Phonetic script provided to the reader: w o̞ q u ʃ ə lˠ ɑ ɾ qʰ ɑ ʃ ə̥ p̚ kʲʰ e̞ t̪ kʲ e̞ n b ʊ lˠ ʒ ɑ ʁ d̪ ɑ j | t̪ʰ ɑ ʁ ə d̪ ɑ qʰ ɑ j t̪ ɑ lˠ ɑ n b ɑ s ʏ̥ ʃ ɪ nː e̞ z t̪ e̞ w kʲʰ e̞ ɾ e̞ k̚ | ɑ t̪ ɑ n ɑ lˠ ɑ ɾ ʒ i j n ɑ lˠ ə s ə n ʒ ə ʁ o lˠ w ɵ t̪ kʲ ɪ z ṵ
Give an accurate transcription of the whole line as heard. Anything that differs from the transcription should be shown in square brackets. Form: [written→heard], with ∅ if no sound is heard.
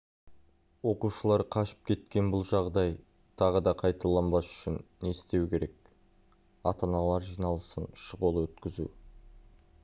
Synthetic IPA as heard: w o̞ q u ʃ ə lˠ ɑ ɾ qʰ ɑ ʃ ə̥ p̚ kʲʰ e̞ t̪ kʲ e̞ n b ʊ lˠ ʒ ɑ ʁ d̪ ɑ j | t̪ʰ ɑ ʁ ə d̪ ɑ qʰ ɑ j t̪ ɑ lˠ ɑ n b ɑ s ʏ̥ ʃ ɪ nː e̞ [z→s] t̪ e̞ w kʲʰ e̞ ɾ e̞ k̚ | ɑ t̪ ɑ n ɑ lˠ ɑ ɾ ʒ i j n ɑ lˠ ə s ə n [ʒ→ʃ] ə ʁ o lˠ w ɵ t̪ kʲ ɪ z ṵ